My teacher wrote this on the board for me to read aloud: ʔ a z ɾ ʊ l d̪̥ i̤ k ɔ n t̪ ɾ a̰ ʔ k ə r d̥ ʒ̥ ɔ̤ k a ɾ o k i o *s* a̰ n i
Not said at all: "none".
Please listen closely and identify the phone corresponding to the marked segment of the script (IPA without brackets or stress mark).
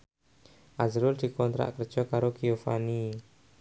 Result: f